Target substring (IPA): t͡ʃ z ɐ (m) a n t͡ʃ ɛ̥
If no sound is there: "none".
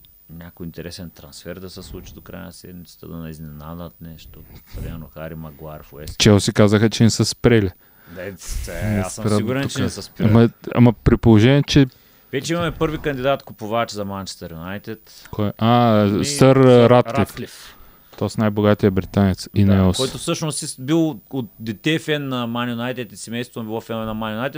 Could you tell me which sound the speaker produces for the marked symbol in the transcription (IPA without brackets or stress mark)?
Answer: m